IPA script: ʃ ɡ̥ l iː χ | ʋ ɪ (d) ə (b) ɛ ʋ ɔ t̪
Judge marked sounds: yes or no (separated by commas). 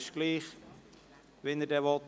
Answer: no, no